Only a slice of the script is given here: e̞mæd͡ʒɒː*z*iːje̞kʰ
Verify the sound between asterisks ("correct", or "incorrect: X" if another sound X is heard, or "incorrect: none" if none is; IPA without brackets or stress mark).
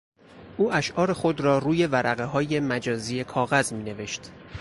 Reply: correct